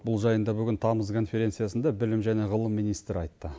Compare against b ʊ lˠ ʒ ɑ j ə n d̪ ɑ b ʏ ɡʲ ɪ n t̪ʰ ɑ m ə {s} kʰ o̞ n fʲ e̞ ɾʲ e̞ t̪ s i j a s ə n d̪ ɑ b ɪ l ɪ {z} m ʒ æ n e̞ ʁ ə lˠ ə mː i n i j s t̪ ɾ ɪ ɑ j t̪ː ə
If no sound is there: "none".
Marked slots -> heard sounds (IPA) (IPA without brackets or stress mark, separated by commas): z, none